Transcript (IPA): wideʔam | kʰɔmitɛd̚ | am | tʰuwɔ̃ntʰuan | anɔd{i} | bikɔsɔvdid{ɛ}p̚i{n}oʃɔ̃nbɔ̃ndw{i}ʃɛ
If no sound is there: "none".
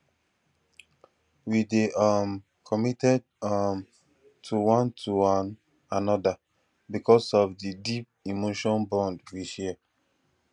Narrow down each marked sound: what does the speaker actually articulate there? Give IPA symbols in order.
a, i, m, i

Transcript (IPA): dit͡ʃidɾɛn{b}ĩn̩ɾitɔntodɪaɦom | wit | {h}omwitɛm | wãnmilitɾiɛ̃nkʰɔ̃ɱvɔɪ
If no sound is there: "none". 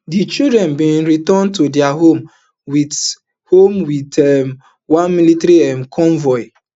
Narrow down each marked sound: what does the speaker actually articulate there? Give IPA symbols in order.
b, h

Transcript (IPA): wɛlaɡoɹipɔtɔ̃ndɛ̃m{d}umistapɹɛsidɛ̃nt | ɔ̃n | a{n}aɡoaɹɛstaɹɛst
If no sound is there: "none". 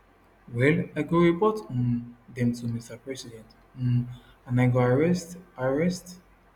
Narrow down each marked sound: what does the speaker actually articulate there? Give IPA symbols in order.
t, n

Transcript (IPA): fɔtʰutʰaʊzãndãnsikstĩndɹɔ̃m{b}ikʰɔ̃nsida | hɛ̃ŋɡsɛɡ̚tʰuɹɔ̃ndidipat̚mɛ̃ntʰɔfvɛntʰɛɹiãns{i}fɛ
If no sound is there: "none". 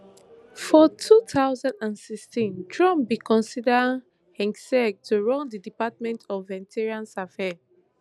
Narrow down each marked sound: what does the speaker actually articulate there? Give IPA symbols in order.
b, a

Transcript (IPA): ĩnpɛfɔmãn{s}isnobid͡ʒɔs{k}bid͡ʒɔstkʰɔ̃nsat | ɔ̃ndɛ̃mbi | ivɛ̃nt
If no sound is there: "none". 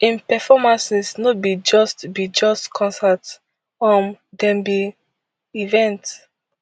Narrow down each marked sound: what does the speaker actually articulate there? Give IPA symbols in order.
s, t

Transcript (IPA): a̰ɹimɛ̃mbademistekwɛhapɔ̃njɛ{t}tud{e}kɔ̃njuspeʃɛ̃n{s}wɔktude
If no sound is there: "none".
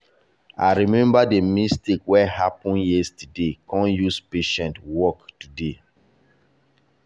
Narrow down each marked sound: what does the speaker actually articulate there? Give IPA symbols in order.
s, e, t

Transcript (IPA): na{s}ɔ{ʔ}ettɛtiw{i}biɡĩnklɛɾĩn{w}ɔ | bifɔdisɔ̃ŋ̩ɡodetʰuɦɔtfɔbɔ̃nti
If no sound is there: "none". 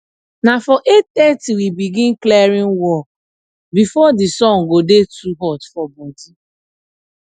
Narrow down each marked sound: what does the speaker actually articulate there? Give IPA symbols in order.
f, ʔ, i, w

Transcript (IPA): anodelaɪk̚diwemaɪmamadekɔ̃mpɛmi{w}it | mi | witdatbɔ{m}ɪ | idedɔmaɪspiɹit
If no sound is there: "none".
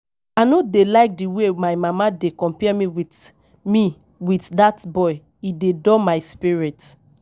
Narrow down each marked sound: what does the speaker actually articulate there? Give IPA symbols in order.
w, none

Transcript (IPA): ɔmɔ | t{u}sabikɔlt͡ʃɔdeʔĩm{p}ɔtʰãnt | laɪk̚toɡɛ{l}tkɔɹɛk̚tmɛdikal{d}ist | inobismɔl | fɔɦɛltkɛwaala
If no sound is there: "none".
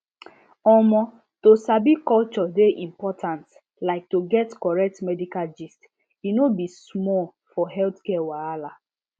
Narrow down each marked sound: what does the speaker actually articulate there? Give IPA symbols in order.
o, p, none, d͡ʒ

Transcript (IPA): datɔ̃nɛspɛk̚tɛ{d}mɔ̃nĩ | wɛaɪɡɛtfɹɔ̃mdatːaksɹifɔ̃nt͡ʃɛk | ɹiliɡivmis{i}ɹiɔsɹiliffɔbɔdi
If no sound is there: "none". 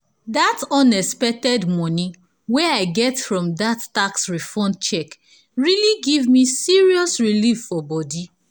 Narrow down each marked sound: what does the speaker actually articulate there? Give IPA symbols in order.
d, i

